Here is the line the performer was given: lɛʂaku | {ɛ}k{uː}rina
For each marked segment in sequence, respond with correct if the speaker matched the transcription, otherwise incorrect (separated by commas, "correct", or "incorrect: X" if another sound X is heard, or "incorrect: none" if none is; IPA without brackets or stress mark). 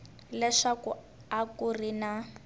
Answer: incorrect: a, incorrect: u